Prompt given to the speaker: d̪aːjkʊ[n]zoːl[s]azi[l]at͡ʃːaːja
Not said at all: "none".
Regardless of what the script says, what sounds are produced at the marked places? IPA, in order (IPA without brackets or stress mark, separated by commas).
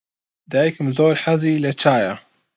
m, ħ, l